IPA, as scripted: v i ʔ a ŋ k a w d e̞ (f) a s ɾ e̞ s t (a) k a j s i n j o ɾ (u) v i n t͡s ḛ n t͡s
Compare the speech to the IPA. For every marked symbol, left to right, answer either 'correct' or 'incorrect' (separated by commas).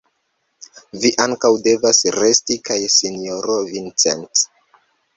incorrect, incorrect, incorrect